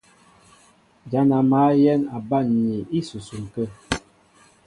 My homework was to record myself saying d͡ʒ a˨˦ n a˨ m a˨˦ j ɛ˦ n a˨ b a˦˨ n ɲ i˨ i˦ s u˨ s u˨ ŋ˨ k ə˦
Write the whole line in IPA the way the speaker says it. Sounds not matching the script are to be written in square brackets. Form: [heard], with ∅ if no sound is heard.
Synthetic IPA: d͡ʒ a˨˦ n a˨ m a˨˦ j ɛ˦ n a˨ b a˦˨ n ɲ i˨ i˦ s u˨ s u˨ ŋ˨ k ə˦